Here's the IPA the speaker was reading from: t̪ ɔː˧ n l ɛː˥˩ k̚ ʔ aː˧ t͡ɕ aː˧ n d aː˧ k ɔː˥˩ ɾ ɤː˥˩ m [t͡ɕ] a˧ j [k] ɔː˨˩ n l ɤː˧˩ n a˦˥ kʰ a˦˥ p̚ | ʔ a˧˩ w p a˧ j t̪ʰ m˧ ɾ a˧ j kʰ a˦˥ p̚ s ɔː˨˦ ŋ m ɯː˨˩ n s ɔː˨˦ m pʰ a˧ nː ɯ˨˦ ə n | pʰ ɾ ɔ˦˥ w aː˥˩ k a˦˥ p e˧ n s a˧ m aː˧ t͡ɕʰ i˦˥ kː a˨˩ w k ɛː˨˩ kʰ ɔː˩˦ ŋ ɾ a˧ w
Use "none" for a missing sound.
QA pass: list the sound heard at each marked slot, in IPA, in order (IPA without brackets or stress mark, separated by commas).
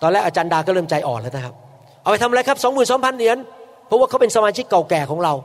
t͡ɕ, ʔ